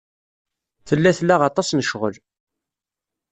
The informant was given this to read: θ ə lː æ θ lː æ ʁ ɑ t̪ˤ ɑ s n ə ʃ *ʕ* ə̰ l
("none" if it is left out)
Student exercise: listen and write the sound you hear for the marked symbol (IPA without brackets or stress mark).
ʁ